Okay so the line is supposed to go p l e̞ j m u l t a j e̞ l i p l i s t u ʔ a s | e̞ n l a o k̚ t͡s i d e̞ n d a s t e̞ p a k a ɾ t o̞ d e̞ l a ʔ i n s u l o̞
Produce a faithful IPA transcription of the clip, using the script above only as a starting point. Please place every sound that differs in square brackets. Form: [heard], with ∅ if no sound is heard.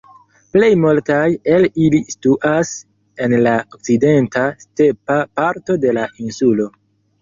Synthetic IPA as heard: p l e̞ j m u l t a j e̞ l i [∅] l i s t u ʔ a s | e̞ n l a o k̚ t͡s i d e̞ n [t] a s t e̞ p a [p] a ɾ t o̞ d e̞ l a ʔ i n s u l o̞